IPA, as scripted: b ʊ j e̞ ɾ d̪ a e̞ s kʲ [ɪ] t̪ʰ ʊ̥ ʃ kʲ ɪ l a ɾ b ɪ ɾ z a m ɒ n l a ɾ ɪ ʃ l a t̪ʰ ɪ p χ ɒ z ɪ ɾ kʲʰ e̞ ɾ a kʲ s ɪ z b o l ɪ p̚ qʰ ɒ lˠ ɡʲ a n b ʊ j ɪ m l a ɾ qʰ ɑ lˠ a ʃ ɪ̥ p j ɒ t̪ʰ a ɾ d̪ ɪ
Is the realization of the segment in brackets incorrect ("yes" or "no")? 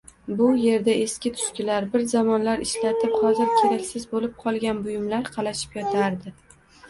no